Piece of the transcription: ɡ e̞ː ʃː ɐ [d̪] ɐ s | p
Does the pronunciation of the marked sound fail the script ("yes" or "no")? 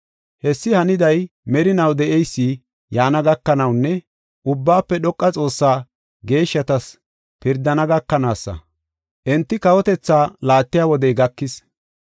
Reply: yes